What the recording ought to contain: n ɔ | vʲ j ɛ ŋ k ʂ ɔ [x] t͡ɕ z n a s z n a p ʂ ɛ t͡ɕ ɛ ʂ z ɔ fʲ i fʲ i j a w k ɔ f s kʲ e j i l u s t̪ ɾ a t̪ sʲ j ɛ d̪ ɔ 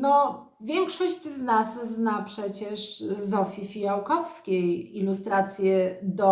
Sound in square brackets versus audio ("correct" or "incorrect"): incorrect